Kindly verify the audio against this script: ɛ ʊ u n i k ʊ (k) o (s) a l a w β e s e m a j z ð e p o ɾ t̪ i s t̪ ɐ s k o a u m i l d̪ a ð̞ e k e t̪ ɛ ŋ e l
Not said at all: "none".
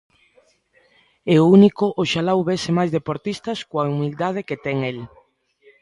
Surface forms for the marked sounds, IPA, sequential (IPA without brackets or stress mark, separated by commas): ʔ, ʃ